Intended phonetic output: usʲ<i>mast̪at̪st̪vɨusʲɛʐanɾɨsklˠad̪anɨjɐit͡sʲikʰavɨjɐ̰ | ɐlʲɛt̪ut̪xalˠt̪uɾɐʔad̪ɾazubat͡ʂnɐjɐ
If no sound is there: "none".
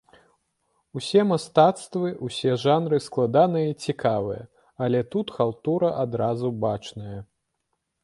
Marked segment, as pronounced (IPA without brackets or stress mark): ɛ